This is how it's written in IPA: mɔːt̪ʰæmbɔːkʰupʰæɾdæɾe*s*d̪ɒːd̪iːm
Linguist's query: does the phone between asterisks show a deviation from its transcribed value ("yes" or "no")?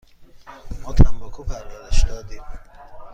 yes